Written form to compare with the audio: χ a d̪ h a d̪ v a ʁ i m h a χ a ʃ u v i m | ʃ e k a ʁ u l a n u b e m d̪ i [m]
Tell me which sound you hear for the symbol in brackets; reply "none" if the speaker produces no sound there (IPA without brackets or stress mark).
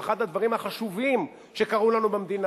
n